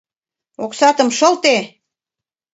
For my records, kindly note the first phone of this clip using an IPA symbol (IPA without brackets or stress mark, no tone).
o